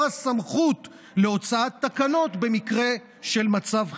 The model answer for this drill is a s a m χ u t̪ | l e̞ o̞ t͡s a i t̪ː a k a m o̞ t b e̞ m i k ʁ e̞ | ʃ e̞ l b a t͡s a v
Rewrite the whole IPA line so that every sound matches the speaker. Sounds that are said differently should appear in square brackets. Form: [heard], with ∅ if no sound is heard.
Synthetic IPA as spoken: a s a m χ u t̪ | l e̞ o̞ t͡s a [a] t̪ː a k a [n] o̞ t b e̞ m i k ʁ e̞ | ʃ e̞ l [m] a t͡s a v